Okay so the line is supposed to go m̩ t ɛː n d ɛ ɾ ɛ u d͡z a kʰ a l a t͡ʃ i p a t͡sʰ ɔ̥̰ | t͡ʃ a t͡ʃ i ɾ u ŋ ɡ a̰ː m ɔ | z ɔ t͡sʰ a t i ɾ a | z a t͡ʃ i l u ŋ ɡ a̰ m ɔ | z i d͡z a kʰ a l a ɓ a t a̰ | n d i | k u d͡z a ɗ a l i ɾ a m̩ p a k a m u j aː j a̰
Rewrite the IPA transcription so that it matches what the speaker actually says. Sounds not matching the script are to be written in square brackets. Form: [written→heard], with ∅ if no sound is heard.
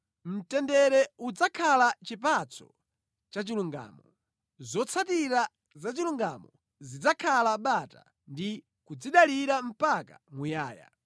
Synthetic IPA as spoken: m̩ t [ɛː→ɛ] n d ɛ ɾ ɛ u d͡z a kʰ a l a t͡ʃ i p a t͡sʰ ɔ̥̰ | t͡ʃ a t͡ʃ i [ɾ→l] u ŋ ɡ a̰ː m ɔ | z ɔ t͡sʰ a t i ɾ a | z a t͡ʃ i l u ŋ ɡ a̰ m ɔ | z i d͡z a kʰ a l a ɓ a t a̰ | n d i | k u d͡z [a→i] ɗ a l i ɾ a m̩ p a k a m u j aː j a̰